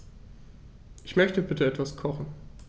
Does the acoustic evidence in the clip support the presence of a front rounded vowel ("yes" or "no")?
yes